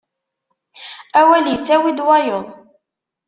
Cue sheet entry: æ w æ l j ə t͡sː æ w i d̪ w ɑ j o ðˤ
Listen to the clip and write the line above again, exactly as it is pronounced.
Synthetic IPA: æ w æ l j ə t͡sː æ w i d̪ w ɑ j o ðˤ